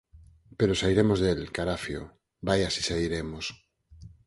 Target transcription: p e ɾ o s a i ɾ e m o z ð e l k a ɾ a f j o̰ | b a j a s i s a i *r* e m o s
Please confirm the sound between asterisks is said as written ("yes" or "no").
no